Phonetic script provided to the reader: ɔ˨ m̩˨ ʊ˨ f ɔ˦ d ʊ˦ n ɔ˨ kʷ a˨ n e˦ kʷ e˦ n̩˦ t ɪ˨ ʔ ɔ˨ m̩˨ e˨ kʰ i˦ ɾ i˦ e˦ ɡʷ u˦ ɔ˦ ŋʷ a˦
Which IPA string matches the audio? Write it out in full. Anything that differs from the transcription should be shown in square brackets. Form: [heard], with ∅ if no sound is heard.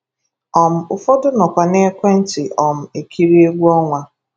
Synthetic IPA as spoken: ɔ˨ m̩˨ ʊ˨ f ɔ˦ d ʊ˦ n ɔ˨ kʷ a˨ n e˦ kʷ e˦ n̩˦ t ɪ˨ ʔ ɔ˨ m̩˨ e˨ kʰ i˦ ɾ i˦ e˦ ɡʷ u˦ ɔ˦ ŋʷ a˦